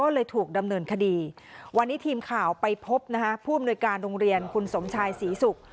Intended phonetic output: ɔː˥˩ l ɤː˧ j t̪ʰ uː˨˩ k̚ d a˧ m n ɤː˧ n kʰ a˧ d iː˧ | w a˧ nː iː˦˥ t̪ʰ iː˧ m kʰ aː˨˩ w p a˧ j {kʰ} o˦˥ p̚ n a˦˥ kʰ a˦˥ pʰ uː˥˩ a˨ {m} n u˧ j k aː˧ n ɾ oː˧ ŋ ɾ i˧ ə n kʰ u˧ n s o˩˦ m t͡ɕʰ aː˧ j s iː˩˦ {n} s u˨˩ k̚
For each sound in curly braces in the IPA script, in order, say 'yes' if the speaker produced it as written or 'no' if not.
no, yes, no

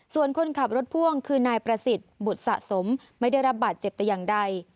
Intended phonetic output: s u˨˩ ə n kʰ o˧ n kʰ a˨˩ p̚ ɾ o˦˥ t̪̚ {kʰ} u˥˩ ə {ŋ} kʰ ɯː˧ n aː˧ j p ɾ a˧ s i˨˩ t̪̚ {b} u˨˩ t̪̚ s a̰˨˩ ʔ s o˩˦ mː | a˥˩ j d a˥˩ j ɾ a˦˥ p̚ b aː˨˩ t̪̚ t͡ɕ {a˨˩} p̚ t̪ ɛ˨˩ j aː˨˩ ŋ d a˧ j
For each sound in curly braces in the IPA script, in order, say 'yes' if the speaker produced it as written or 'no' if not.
no, yes, yes, no

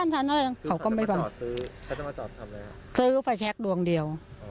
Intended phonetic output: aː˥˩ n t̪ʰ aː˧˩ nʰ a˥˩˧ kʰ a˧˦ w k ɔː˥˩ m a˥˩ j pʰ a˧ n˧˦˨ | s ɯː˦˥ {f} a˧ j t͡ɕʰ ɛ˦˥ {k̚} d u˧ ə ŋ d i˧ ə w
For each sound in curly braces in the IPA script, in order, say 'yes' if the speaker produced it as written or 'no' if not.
yes, yes

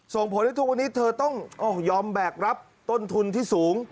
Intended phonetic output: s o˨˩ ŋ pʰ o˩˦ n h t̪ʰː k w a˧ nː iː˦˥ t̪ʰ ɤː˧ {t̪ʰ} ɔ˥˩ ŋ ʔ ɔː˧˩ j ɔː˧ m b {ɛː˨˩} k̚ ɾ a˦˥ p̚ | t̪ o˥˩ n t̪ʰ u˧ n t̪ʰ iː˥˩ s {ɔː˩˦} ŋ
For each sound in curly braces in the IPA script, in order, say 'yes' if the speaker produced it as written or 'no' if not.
no, yes, no

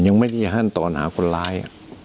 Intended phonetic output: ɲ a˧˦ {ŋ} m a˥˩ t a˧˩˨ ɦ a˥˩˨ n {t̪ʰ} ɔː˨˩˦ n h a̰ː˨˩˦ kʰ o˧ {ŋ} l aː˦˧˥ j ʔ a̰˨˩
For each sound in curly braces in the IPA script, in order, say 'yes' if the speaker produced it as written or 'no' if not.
yes, no, no

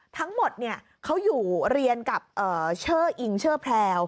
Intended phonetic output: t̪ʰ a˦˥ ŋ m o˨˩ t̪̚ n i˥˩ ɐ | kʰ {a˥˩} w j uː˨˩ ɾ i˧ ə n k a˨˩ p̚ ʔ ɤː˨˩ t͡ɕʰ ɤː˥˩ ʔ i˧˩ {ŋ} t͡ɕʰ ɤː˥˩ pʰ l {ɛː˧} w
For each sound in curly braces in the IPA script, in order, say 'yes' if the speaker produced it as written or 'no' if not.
no, yes, yes

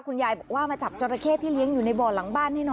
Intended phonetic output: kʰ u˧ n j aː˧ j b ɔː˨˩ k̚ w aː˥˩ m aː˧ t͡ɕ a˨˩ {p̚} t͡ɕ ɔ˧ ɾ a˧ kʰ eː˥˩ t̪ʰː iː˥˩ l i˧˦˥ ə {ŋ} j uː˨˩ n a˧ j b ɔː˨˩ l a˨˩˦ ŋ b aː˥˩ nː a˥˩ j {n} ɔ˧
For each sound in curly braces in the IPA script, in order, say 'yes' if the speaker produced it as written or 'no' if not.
yes, yes, yes

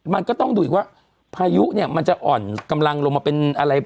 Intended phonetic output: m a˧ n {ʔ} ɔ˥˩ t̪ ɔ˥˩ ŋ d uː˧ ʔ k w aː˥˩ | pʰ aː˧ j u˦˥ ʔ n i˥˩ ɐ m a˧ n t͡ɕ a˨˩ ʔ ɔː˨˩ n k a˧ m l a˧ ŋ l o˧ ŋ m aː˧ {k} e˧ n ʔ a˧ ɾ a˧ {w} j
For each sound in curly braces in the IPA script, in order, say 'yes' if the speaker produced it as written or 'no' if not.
no, no, no

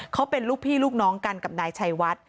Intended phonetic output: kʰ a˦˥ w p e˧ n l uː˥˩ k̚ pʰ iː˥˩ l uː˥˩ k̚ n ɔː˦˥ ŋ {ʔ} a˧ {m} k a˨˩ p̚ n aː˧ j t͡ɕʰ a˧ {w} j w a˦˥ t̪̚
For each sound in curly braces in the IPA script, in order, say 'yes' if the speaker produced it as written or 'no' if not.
no, no, no

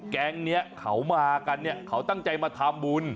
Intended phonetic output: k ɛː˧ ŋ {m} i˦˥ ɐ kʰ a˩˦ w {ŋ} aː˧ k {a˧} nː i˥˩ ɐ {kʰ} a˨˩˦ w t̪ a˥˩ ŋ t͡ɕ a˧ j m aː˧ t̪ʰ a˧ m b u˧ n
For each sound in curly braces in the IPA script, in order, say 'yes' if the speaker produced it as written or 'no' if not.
no, no, yes, yes

